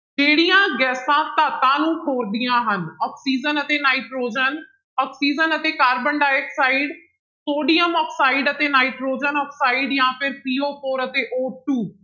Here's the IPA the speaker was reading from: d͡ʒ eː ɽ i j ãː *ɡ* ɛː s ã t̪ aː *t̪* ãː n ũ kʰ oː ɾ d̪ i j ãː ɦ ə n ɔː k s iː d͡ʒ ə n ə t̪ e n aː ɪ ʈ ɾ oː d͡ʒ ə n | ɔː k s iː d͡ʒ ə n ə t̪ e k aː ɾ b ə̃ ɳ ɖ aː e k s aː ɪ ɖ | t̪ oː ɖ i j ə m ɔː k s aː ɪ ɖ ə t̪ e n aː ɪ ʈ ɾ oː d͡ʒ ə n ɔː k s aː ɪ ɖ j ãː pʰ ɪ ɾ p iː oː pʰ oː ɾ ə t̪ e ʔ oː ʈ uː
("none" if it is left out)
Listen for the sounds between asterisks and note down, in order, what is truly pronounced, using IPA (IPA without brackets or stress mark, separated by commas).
ɡ, t̪